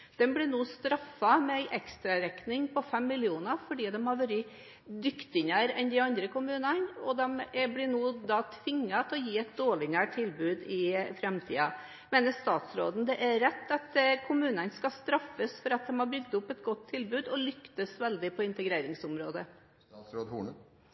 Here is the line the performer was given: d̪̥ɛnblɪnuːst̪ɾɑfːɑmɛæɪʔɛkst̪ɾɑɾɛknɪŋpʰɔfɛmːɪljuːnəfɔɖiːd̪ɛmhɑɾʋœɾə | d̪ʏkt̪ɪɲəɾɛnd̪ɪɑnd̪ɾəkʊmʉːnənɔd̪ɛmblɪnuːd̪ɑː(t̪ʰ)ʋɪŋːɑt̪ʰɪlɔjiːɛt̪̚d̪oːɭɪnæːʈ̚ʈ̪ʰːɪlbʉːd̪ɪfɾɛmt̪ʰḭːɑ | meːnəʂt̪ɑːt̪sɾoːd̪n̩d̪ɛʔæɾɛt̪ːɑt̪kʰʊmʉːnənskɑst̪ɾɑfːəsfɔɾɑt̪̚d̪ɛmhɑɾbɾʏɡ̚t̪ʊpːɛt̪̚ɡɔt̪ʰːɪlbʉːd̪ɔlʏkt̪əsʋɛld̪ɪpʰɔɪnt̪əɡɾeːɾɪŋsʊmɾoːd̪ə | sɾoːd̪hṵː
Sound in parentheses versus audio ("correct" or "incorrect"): correct